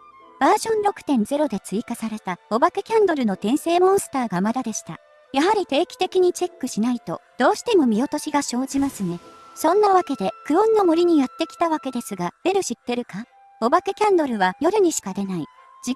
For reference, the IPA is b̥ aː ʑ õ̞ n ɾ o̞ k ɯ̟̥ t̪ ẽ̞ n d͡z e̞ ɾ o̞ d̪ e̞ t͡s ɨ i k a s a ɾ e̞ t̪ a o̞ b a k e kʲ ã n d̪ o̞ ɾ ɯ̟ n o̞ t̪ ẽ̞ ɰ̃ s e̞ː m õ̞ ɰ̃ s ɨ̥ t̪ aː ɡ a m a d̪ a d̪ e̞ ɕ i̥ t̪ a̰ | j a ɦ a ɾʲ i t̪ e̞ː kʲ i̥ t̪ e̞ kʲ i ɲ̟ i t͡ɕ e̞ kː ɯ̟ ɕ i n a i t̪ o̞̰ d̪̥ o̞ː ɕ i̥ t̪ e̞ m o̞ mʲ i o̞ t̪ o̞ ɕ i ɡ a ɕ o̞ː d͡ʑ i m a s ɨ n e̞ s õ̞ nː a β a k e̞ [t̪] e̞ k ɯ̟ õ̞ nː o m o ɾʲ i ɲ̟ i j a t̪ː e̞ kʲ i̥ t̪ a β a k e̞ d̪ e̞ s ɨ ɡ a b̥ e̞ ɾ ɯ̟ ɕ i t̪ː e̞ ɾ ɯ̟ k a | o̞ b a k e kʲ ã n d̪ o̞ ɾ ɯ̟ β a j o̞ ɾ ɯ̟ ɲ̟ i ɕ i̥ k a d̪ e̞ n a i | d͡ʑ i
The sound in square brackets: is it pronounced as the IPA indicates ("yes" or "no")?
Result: no